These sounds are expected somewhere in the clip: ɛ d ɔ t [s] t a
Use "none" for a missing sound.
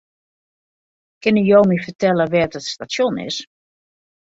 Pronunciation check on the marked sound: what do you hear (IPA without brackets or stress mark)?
s